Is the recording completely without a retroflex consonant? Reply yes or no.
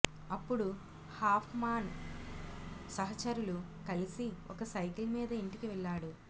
no